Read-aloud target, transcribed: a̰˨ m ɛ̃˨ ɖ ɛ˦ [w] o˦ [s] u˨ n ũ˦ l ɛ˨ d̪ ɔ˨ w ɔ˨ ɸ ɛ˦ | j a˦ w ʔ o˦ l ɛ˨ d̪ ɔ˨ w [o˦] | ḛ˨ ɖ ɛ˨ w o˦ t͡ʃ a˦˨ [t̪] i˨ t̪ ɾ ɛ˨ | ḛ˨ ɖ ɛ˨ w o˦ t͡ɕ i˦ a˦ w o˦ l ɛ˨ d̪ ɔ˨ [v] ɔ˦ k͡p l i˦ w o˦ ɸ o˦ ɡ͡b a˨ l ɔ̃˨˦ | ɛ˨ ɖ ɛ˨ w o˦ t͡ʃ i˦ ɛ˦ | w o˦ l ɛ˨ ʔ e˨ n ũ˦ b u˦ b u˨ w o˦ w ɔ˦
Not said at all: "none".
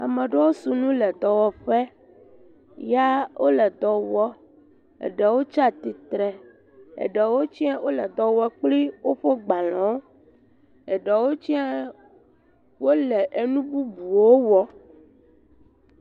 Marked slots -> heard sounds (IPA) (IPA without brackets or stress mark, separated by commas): w, s, ɔ˦, t̪, w